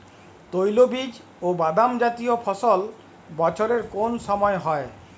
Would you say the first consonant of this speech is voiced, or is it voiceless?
voiceless